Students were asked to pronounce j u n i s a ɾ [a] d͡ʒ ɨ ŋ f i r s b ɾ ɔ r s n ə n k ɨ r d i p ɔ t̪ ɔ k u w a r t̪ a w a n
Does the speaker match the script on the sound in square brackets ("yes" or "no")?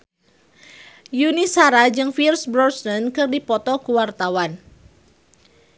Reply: yes